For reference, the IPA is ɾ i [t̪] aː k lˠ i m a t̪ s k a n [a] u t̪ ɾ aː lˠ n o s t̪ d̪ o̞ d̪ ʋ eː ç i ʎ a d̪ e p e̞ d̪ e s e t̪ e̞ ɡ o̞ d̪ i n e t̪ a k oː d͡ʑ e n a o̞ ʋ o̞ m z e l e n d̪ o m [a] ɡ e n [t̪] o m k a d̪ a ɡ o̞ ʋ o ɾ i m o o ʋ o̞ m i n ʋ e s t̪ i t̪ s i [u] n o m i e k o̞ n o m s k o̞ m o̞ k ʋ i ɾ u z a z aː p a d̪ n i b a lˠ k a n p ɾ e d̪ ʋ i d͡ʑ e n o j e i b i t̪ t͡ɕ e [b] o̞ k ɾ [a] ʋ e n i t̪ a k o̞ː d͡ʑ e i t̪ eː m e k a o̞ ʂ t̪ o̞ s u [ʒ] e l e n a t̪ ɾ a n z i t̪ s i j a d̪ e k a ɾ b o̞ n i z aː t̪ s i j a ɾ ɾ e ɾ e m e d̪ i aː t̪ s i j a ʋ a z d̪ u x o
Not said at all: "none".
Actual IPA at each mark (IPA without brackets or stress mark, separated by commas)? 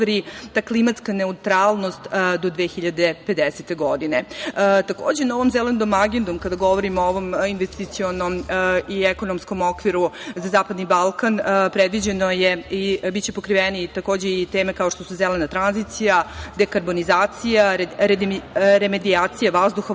t̪, e, a, d̪, o, p, i, z